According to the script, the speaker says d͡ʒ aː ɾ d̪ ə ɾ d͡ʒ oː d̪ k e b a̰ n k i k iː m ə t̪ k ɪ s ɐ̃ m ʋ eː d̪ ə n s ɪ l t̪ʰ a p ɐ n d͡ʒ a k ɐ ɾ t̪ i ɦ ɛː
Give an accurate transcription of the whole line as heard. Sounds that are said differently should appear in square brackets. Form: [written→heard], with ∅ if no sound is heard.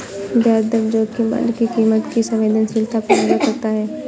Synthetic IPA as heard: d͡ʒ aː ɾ d̪ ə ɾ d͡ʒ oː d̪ k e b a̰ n k i k iː m ə t̪ k [ɪ→i] s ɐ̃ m ʋ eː d̪ ə n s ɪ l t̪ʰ a p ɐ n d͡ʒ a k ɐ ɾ t̪ [i→a] ɦ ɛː

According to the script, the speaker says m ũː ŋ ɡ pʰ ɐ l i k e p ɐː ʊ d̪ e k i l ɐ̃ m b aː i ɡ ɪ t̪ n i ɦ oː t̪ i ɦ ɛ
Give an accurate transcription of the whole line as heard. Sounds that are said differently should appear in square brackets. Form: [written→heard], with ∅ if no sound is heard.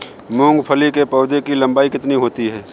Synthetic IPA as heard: m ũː ŋ ɡ pʰ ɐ l i k e p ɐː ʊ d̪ e k i l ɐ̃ m b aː i [ɡ→k] ɪ t̪ n i ɦ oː t̪ i ɦ [ɛ→ɛː]

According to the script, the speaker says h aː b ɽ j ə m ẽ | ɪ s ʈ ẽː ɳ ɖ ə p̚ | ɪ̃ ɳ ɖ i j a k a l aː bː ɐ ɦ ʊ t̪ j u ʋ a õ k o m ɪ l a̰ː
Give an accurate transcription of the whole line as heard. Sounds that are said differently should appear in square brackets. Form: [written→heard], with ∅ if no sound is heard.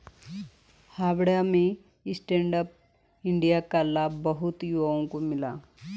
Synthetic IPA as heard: h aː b ɽ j [ə→a] m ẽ | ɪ s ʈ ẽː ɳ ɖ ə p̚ | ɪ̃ ɳ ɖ i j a k a l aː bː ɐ ɦ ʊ t̪ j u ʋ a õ k o m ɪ l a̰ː

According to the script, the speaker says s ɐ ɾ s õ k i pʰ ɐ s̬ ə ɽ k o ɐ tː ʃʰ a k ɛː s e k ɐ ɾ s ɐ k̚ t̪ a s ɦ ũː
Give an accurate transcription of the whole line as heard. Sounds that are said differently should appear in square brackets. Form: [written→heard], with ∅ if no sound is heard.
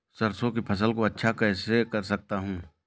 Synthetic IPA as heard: s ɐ ɾ s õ k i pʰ ɐ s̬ ə [ɽ→l] k o ɐ tː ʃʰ a k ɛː s e k ɐ ɾ s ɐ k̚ t̪ a [s→∅] ɦ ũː

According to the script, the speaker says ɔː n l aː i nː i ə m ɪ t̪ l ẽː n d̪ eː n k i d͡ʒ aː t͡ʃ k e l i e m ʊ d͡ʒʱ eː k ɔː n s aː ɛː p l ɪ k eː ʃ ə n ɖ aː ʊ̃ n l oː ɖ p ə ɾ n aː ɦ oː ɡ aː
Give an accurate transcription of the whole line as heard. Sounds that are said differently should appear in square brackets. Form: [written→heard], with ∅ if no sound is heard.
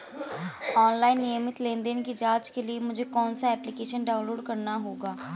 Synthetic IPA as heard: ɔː n l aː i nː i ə m ɪ t̪ l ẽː n d̪ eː n k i d͡ʒ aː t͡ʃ k e l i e m ʊ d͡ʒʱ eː k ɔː n s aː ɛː p l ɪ k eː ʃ ə n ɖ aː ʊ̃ n l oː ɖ [p→k] ə ɾ n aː ɦ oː ɡ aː

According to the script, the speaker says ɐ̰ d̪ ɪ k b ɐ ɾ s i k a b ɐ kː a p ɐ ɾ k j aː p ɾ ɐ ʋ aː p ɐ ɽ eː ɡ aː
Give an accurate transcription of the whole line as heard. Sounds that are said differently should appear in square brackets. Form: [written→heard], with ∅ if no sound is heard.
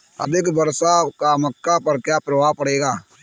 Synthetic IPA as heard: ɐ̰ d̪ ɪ k b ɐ ɾ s [i→a] k a [b→m] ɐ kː a p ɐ ɾ k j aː p ɾ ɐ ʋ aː p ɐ ɽ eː ɡ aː

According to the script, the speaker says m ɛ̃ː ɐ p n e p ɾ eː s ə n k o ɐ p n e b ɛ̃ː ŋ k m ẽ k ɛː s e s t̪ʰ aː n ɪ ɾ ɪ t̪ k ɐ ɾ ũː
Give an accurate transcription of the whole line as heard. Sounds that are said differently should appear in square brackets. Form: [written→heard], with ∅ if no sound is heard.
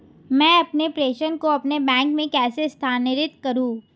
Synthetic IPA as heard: m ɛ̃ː ɐ p n e p ɾ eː [s→ʃ] ə n k o ɐ p n e b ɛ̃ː ŋ k m ẽ k ɛː s e s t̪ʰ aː n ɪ ɾ ɪ t̪ k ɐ ɾ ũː

